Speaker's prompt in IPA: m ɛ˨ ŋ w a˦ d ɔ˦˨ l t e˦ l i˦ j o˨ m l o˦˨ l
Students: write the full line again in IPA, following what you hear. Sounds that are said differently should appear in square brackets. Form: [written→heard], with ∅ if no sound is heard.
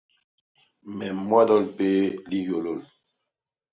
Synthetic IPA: m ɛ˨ [ŋ→m] w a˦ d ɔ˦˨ l [t→p] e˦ l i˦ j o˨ [m→∅] l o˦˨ l

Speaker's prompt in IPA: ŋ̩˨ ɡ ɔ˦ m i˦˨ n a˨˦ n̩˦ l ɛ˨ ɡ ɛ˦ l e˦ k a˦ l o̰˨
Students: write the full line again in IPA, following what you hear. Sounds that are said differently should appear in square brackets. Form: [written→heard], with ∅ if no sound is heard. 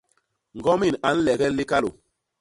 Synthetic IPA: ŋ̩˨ ɡ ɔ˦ m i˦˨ n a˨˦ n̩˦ l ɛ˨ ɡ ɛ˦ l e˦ k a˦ l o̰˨

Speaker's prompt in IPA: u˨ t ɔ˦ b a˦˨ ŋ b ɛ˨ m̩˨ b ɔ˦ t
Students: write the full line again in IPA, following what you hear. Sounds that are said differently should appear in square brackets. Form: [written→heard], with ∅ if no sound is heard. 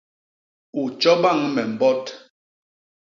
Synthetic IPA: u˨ [t→t͡ʃ] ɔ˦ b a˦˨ ŋ [b→m] ɛ˨ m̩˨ b ɔ˦ t

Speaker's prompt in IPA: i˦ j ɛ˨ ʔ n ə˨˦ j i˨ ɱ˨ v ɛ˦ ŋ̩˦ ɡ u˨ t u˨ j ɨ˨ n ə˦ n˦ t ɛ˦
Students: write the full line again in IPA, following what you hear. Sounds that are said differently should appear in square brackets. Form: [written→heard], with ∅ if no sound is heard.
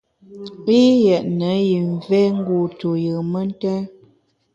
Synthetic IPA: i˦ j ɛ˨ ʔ n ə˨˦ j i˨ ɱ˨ v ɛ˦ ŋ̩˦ ɡ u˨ t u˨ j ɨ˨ [n→m] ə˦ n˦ t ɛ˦

